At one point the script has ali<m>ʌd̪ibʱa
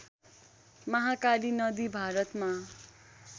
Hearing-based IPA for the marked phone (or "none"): n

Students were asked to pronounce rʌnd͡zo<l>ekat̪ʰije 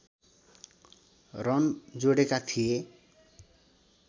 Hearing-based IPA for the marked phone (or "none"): ɽ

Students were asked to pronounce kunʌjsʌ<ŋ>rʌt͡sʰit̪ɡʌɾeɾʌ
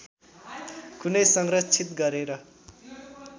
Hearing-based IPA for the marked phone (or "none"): ŋ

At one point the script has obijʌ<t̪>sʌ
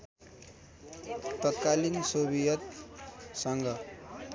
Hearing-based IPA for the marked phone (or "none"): t̪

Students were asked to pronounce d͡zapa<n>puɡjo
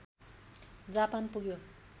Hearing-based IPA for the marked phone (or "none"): n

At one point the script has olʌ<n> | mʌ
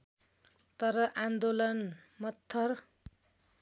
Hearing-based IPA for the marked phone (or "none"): n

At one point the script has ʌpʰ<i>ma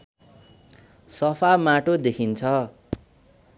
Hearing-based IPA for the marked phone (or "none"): a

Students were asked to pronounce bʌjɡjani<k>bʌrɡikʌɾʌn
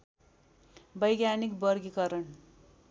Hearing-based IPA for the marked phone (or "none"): k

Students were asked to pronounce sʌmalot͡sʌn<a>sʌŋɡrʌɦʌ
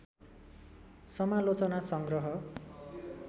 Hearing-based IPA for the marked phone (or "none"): a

